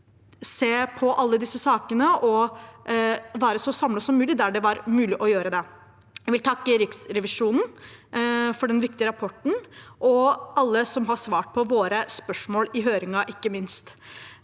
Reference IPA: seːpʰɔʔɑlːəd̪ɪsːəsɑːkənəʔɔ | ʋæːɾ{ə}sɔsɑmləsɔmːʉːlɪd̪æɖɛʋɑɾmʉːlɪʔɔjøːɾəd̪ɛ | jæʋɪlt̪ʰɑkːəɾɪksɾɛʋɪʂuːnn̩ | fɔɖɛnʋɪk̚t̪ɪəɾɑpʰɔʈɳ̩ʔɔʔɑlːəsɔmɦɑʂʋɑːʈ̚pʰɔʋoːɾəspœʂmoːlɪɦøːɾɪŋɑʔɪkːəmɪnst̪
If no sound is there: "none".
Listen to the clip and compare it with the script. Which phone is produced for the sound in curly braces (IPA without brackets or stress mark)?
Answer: ə